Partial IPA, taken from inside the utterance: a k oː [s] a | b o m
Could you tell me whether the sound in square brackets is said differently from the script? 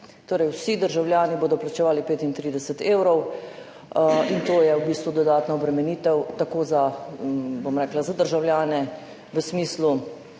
yes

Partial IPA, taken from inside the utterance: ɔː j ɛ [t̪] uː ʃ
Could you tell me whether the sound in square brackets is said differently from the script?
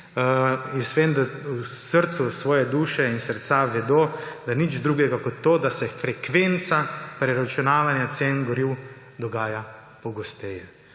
yes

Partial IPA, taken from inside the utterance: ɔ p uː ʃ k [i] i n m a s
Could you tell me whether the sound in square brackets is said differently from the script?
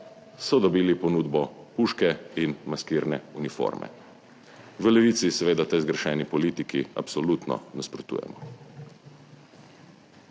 yes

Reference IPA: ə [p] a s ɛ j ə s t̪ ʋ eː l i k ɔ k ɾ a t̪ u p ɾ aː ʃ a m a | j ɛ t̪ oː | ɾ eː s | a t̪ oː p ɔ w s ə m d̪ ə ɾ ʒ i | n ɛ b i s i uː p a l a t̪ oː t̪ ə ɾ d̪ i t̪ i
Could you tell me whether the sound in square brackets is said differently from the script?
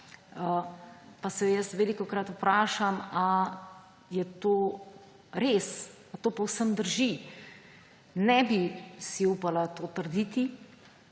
no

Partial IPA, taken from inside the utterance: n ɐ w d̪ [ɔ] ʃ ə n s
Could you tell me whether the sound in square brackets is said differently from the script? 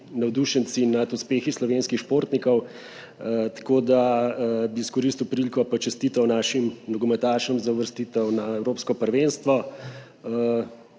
yes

